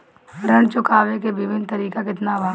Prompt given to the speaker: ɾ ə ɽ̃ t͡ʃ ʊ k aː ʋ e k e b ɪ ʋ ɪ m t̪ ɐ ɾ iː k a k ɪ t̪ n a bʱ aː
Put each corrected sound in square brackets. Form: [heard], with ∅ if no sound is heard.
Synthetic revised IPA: ɾ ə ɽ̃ t͡ʃ ʊ k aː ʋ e k e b ɪ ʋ ɪ [n] t̪ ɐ ɾ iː k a k ɪ t̪ n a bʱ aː